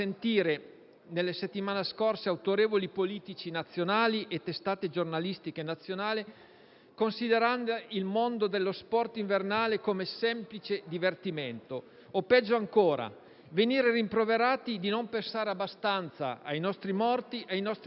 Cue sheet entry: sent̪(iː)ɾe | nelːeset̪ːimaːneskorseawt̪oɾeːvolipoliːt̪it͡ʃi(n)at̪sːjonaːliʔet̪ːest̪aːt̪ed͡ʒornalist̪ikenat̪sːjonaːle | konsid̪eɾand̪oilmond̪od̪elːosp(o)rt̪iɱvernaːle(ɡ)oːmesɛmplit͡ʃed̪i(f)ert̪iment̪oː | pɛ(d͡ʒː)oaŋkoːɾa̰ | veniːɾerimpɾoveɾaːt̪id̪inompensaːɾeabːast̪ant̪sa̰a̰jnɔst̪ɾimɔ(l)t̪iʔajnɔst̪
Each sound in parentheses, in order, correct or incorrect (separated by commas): correct, correct, incorrect, incorrect, incorrect, correct, incorrect